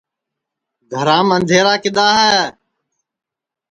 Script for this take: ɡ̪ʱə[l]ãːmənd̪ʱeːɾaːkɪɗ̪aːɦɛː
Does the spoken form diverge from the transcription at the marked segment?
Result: yes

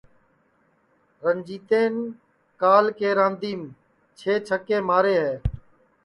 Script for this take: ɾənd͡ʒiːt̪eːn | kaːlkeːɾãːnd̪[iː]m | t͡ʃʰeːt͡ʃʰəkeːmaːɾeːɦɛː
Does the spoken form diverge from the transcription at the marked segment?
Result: no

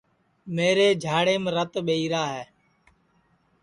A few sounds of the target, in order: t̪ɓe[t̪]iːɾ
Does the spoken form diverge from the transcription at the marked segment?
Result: yes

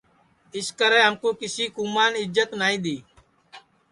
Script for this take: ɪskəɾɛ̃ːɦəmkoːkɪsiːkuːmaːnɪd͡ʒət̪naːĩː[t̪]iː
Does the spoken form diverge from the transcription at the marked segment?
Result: yes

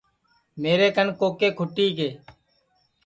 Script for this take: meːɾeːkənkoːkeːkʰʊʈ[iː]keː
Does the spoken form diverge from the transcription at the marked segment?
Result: no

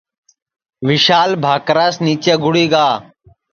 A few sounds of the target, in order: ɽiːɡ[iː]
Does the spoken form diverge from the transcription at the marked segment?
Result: yes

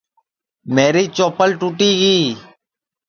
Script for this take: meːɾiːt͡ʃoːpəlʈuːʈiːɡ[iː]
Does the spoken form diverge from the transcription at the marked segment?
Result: no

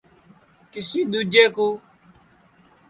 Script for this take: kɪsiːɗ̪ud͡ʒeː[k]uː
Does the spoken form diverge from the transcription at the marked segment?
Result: no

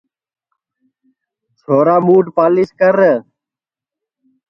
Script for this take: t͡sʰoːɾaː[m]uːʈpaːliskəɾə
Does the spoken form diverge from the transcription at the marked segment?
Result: no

